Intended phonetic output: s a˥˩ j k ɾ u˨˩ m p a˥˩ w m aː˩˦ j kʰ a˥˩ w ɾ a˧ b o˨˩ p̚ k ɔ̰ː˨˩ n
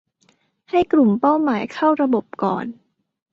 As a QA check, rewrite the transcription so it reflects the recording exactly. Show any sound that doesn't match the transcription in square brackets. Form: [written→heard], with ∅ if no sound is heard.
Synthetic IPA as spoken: [s→h] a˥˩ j k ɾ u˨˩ m p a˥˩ w m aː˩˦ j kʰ a˥˩ w ɾ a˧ b o˨˩ p̚ k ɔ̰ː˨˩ n